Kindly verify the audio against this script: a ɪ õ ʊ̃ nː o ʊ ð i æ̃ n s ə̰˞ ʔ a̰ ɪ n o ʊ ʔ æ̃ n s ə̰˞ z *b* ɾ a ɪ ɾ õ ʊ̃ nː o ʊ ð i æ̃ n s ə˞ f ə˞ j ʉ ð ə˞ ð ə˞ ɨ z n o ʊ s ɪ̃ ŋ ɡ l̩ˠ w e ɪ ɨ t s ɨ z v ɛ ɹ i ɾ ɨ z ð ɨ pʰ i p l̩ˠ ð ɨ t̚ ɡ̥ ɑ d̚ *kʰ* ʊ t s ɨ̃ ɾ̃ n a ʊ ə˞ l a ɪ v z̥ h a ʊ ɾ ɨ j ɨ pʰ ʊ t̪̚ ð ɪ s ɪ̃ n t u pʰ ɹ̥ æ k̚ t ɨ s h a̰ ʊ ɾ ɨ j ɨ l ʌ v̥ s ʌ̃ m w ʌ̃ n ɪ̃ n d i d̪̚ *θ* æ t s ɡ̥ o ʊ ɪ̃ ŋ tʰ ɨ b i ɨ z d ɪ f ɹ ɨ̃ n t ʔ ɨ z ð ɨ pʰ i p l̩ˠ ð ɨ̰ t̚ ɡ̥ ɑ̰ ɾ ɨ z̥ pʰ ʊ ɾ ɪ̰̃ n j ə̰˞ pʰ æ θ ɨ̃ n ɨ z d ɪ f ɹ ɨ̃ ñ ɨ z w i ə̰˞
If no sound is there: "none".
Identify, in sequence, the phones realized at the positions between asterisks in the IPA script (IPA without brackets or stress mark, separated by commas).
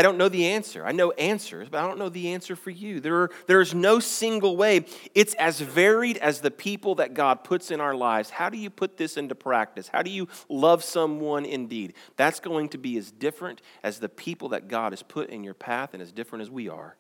b, pʰ, ð